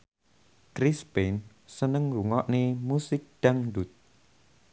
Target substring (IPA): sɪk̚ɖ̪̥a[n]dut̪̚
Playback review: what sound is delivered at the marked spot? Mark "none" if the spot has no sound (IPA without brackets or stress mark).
ŋ